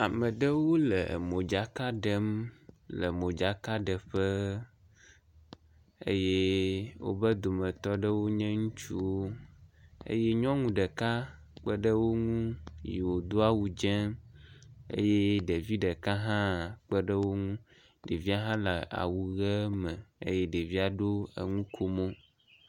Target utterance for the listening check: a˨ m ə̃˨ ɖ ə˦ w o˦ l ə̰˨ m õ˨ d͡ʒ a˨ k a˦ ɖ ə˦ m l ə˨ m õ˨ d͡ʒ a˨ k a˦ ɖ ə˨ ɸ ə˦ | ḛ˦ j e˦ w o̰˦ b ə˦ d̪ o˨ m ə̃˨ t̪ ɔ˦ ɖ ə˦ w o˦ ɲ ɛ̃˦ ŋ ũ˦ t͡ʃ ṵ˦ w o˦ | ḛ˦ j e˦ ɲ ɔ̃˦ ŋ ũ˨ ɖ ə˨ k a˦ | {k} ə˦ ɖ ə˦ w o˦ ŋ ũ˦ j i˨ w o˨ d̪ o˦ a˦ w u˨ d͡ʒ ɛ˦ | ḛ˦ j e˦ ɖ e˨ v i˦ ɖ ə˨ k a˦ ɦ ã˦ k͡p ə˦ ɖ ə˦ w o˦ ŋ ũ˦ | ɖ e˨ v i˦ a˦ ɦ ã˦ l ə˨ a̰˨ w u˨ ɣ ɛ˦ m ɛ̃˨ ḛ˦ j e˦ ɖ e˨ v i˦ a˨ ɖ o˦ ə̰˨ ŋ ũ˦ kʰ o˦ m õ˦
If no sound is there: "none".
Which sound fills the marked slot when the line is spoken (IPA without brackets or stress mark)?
k͡p